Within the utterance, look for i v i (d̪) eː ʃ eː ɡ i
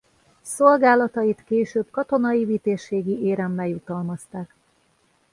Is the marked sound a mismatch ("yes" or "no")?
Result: yes